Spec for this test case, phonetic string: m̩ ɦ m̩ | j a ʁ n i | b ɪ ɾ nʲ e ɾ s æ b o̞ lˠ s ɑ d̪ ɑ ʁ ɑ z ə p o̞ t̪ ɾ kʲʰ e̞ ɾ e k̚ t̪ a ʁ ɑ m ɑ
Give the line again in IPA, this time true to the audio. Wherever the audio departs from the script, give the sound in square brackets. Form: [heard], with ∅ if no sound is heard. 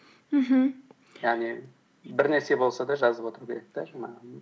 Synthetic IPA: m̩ ɦ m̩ | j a ʁ n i | b ɪ ɾ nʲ e ɾ s [e] b o̞ lˠ s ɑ d̪ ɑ [ʒ] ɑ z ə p o̞ t̪ ɾ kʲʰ e̞ ɾ e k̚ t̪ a [ʒ] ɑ m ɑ